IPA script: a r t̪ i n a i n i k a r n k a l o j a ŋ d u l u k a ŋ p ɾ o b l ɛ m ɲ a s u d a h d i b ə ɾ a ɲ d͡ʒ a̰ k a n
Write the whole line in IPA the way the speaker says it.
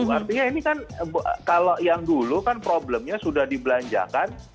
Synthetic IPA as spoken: a r t̪ i ɲ a i n i k a n k a l o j a ŋ d u l u k a n p ɾ o b l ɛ m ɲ a s u d a h d i b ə l a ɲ d͡ʒ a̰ k a n